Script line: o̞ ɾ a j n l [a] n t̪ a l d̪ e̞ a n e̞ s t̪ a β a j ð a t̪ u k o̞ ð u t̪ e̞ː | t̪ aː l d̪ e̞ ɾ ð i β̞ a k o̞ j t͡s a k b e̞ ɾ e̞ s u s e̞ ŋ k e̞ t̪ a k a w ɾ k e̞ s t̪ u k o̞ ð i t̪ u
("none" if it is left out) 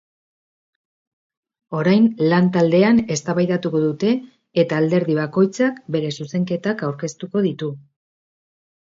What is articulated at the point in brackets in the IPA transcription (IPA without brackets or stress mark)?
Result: a